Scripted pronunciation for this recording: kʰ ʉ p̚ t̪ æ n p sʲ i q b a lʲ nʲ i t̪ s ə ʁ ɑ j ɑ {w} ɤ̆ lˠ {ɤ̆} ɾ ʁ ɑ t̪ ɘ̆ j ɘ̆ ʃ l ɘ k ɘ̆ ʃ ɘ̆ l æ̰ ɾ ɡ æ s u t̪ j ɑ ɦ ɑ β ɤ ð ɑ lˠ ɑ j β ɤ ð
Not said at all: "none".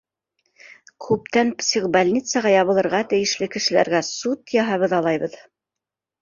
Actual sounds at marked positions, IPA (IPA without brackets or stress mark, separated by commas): β, ɤ̆